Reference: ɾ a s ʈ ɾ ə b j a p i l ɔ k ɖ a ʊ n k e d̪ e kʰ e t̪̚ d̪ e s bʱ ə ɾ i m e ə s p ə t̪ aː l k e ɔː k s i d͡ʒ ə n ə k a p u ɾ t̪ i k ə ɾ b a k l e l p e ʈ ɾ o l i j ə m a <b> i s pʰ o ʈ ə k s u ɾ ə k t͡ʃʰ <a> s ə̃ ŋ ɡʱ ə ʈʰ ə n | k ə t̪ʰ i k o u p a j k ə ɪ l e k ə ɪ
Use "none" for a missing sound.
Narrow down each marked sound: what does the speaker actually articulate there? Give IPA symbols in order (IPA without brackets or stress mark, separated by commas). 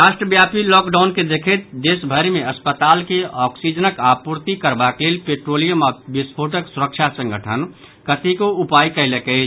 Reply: b, a